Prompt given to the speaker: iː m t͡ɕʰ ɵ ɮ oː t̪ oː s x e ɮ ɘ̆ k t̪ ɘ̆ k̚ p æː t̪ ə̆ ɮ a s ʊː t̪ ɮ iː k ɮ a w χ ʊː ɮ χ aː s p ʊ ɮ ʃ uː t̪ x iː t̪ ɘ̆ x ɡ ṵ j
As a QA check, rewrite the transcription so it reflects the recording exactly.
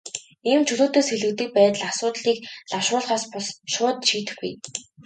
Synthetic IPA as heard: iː m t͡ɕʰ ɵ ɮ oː t̪ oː s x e ɮ ɘ̆ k t̪ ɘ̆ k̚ p æː t̪ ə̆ ɮ a s ʊː t̪ ɮ iː k ɮ a w ʃ ʊː ɮ χ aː s p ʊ ɮ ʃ ʊː t̪ ʃ iː t̪ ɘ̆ x ɡ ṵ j